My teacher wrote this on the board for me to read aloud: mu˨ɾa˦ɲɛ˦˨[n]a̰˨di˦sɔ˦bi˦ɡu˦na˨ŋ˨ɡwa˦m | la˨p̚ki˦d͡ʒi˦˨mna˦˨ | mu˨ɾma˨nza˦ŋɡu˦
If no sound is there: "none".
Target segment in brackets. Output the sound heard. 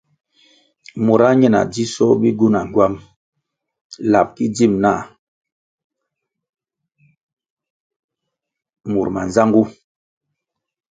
n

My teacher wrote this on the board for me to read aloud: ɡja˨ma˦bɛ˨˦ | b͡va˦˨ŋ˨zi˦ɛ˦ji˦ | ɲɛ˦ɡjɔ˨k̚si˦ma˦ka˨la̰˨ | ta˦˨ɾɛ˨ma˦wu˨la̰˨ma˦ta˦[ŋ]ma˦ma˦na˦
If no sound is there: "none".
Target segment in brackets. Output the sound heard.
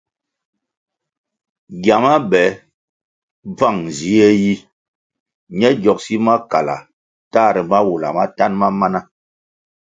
n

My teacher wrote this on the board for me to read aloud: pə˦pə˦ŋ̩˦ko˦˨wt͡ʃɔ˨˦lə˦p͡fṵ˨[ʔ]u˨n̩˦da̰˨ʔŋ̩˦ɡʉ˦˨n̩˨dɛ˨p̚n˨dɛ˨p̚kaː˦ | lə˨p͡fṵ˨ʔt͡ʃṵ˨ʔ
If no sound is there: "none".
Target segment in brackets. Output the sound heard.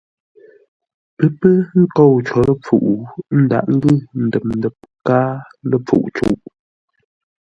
ʔ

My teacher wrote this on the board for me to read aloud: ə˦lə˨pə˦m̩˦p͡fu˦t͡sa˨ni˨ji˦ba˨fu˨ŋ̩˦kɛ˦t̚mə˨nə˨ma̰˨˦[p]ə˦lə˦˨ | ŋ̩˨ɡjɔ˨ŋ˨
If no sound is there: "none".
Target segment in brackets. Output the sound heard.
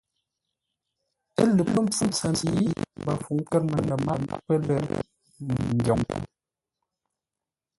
p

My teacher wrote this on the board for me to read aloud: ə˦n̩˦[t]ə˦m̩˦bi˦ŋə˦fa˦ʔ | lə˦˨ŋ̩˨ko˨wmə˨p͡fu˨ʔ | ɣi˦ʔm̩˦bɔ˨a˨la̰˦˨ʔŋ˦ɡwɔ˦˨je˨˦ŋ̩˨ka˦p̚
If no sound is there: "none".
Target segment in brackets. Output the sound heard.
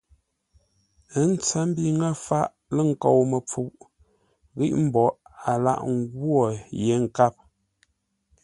t͡s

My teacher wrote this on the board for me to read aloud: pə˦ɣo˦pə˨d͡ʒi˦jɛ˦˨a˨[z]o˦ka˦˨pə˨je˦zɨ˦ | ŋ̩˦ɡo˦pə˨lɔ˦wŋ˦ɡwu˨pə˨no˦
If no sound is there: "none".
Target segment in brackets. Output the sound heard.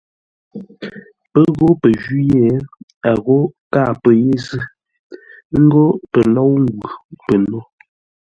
ɣ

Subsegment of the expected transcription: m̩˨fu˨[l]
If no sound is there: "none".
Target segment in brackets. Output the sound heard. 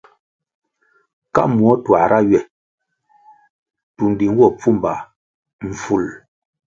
l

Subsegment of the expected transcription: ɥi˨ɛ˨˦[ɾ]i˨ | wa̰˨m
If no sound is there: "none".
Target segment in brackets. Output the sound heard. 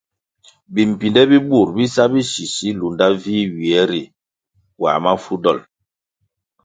ɾ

